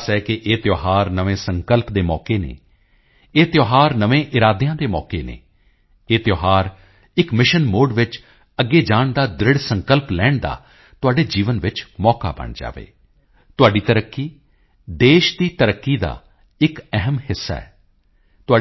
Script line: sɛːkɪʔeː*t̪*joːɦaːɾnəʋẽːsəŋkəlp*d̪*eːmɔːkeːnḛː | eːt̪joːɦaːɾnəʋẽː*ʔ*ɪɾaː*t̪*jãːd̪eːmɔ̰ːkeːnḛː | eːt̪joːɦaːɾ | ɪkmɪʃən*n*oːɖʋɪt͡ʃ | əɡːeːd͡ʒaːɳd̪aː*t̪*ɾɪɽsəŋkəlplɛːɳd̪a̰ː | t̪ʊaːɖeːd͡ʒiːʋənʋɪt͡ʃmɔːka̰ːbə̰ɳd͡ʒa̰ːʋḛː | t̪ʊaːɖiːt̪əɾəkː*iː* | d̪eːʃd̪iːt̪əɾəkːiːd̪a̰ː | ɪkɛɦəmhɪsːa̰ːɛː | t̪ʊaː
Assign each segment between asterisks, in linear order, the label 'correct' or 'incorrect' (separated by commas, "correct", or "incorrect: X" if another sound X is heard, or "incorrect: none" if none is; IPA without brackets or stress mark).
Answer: correct, correct, correct, incorrect: d̪, incorrect: m, incorrect: d̪, correct